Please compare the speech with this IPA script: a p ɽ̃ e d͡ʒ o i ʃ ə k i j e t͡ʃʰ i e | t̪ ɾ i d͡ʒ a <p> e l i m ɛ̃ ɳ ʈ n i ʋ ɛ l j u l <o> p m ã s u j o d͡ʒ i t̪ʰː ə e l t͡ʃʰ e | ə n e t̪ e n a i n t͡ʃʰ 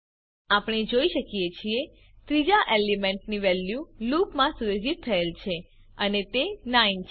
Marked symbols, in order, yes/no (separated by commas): no, no